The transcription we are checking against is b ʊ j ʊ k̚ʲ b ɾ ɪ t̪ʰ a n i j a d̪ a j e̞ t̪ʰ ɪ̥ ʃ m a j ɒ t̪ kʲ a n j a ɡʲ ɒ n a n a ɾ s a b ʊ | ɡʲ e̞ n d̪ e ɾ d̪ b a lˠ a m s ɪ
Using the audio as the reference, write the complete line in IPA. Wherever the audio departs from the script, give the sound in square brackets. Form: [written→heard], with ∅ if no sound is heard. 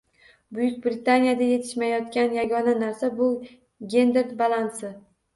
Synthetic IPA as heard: b ʊ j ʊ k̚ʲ b ɾ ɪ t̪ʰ a n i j a d̪ a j e̞ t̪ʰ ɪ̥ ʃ m a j ɒ t̪ kʲ a n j a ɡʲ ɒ n a n a ɾ s a b ʊ | ɡʲ e̞ n d̪ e ɾ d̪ b a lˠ a [m→n] s ɪ